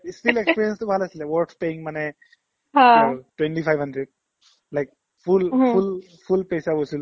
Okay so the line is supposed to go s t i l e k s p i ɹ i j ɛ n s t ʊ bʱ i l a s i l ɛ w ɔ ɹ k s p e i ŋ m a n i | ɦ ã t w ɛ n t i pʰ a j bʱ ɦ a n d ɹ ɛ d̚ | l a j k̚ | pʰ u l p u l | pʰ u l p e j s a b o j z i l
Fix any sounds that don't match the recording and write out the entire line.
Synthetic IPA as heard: s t i l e k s p i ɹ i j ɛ n s t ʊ bʱ a l a s i l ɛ w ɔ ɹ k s p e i ŋ m a n ɛ | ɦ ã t w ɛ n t i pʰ a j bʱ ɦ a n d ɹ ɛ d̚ | l a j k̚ | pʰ u l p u l | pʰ u l p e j s a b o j s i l